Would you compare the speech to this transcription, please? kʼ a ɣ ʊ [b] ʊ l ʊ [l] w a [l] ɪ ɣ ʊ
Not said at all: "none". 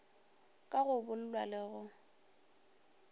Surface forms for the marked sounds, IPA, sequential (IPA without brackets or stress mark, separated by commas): b, l, l